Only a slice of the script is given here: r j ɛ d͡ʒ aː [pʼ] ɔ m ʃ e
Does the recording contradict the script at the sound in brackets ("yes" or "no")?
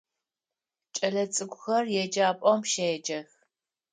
no